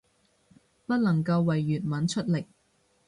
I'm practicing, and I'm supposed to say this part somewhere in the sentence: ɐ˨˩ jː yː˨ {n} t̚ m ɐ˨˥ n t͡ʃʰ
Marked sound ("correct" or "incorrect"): incorrect